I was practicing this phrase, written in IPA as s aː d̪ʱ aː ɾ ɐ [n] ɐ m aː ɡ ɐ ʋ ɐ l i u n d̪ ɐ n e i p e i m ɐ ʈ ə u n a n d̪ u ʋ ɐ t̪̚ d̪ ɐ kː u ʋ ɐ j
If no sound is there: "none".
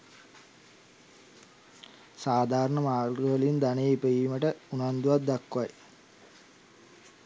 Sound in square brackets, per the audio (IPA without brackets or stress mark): ɳ